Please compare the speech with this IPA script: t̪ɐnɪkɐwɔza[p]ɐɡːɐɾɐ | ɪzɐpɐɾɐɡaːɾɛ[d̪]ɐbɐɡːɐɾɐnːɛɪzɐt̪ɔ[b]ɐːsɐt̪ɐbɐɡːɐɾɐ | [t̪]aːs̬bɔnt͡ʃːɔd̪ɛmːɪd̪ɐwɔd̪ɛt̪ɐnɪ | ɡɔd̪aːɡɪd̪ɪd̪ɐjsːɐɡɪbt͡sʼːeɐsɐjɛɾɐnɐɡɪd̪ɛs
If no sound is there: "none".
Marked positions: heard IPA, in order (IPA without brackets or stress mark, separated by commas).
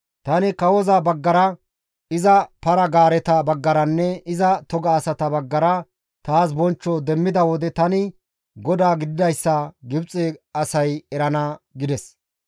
b, t̪, ɡ, t̪